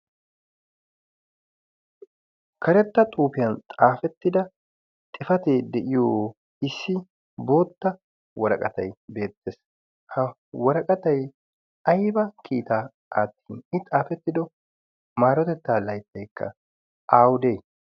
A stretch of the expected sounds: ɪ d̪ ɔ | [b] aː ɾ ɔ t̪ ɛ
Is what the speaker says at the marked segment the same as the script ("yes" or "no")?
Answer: no